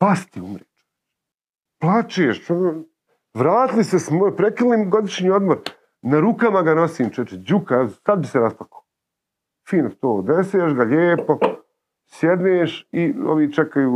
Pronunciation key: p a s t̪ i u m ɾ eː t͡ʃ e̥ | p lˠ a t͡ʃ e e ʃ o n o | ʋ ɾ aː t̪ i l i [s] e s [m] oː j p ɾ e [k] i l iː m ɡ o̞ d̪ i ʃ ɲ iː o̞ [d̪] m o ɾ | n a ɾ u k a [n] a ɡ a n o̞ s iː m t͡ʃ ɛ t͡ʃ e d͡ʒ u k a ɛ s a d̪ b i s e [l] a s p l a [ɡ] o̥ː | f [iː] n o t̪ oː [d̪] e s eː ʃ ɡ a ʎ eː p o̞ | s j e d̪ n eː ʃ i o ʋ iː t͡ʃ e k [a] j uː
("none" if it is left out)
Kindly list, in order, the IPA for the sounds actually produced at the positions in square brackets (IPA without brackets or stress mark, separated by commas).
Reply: s, m, k, d̪, m, ɾ, k, iː, d̪, a